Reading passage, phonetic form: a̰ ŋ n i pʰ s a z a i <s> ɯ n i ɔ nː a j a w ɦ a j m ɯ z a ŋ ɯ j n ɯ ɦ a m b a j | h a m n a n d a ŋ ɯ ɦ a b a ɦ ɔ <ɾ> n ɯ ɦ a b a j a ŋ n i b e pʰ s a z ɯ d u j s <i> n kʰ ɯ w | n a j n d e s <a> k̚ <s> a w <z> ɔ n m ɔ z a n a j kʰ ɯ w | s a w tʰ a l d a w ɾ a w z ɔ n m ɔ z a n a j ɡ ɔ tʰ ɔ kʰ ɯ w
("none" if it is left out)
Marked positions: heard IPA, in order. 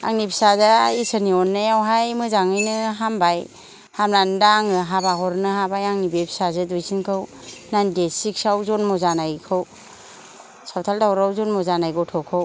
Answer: s, ɾ, i, i, s, z

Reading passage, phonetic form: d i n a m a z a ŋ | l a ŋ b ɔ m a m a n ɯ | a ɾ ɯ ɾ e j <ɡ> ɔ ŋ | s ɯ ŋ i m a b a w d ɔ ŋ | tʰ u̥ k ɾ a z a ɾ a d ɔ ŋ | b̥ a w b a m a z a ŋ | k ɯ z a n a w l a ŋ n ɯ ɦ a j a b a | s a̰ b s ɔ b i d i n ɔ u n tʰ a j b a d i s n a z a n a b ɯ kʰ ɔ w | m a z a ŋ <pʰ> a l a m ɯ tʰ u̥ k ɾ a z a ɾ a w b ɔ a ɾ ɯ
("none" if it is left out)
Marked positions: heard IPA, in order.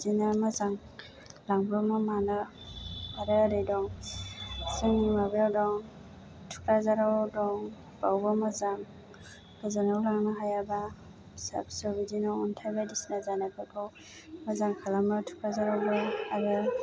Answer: d, kʰ

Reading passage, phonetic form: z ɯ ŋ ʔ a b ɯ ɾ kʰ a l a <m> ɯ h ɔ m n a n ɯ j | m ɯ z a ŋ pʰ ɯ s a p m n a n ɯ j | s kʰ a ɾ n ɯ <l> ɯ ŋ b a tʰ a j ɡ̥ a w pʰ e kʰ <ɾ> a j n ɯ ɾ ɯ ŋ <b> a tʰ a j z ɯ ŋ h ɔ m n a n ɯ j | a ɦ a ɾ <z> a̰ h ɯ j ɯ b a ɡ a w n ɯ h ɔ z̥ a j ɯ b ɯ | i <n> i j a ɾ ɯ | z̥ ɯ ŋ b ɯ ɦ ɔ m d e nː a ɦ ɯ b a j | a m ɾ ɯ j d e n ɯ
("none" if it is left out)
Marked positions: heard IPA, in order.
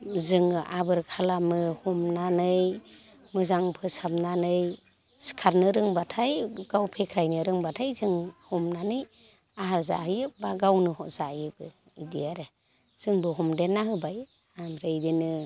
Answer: m, ɾ, ɾ, b, z, d

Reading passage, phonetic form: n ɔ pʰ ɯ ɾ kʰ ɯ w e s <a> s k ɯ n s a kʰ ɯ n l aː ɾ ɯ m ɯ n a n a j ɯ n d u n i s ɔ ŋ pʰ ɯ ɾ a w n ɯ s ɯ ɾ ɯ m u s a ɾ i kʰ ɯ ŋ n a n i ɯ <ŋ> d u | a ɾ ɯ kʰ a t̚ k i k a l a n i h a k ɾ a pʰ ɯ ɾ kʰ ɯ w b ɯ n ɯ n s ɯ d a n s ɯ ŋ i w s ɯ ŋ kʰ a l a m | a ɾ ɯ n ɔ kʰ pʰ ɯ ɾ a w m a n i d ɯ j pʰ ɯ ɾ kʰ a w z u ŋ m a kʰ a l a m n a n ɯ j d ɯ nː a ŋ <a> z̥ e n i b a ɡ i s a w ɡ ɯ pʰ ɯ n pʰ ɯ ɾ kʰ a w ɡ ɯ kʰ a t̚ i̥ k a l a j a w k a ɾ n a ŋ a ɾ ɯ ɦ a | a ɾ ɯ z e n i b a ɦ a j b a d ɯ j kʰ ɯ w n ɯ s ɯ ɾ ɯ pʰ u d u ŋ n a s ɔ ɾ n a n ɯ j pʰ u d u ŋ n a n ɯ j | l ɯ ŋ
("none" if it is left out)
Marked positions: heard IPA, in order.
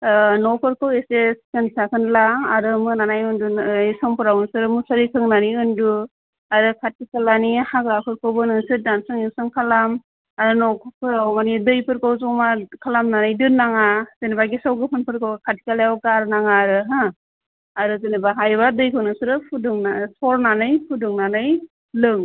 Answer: e, n, a

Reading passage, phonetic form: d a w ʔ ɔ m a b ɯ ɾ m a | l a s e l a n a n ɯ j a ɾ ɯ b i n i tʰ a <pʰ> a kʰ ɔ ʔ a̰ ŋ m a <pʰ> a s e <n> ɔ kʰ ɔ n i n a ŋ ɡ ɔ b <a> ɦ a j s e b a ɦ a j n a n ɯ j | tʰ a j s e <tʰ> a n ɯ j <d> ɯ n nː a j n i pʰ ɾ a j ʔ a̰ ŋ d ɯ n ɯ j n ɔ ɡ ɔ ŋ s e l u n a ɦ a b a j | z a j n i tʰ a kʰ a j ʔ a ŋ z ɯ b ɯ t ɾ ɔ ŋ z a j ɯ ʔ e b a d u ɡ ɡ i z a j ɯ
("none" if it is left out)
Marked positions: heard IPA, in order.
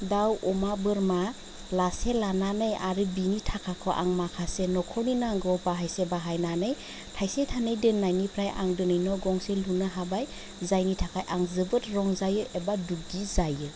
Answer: kʰ, kʰ, n, a, tʰ, d

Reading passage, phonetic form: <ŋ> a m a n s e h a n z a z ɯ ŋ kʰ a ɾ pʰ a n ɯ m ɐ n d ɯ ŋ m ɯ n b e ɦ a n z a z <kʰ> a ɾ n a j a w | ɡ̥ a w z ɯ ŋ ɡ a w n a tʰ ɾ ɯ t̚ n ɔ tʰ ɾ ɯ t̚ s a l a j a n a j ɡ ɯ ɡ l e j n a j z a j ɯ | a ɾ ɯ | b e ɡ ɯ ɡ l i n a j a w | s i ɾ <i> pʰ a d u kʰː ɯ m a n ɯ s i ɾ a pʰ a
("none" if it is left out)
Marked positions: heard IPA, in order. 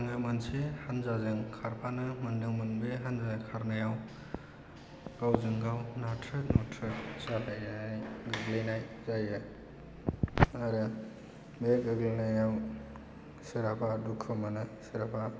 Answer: ŋ, kʰ, a

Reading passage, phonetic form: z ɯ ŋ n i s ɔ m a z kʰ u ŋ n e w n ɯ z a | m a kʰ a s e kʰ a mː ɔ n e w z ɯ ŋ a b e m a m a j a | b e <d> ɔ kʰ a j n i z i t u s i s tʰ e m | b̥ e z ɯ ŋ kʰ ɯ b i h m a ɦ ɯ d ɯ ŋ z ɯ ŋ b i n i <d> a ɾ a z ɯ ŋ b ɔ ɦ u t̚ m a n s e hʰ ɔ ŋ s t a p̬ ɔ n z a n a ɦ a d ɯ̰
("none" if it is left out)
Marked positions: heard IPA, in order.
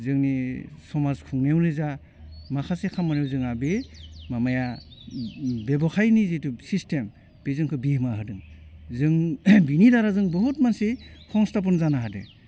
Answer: b, d

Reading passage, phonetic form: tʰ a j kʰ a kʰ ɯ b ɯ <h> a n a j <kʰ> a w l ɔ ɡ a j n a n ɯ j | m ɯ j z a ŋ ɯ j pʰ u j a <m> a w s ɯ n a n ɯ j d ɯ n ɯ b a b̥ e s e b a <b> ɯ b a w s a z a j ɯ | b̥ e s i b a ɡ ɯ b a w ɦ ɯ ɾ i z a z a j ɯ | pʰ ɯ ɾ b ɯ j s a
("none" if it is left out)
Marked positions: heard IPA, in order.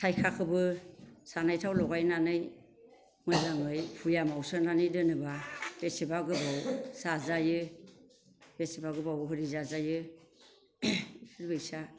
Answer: s, tʰ, m, ɡ

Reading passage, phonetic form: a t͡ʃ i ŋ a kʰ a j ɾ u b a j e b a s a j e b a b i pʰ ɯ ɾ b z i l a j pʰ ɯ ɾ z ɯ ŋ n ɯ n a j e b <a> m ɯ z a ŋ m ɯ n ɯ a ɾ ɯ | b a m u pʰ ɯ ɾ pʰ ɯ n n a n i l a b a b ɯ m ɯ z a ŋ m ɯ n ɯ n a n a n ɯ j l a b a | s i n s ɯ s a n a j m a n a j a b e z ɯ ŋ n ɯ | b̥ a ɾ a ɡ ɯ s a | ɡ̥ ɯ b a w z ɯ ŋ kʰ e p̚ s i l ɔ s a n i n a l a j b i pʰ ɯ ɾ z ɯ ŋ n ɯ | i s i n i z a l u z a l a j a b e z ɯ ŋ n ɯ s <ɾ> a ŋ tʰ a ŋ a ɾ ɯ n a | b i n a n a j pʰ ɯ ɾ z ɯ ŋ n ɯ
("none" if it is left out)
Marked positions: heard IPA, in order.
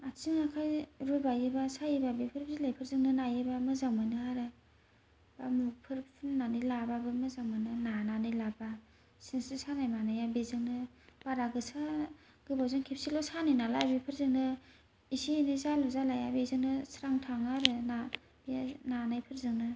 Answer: a, ɾ

